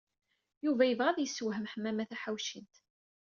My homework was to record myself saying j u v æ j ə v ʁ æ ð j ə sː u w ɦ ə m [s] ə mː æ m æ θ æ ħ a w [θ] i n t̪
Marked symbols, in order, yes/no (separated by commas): no, no